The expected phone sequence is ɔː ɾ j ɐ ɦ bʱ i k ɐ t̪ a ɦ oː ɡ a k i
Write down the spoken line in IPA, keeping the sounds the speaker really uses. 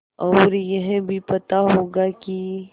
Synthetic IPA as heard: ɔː ɾ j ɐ ɦ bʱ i p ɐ t̪ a ɦ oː ɡ a k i